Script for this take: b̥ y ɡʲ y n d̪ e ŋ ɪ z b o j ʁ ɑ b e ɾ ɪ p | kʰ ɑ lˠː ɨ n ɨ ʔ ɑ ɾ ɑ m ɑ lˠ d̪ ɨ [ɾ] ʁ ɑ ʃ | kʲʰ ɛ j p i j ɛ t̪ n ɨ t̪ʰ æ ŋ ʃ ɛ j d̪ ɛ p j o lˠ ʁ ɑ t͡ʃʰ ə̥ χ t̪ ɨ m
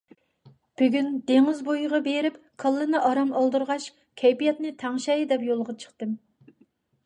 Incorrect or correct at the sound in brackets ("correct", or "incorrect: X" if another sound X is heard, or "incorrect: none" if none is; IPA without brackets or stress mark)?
correct